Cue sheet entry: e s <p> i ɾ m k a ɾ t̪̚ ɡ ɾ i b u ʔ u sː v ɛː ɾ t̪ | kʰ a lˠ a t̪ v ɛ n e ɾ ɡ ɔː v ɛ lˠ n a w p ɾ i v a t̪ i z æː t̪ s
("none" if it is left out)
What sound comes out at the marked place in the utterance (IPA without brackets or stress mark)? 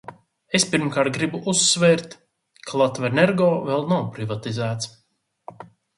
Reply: p